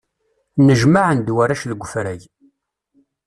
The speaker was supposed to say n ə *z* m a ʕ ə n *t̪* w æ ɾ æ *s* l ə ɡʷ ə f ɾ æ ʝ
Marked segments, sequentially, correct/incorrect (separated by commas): incorrect, incorrect, incorrect